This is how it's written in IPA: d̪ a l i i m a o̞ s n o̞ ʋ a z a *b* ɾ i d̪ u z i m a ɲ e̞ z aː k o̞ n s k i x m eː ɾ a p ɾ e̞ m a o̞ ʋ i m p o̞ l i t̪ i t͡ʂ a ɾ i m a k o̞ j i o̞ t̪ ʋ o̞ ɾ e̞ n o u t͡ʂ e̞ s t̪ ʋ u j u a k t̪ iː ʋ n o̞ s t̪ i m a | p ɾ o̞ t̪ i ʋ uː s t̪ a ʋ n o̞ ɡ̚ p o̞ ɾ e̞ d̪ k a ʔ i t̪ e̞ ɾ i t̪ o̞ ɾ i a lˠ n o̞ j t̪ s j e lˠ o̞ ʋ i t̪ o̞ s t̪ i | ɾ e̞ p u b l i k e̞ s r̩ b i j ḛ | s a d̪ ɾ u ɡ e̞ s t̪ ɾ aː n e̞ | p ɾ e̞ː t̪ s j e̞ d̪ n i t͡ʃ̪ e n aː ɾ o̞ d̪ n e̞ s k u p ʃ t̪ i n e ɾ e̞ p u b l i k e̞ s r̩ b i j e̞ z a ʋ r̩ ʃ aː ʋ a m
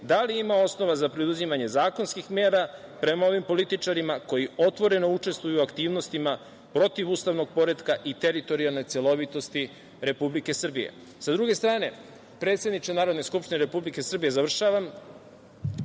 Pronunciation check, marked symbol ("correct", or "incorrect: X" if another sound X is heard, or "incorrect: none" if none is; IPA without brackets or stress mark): incorrect: p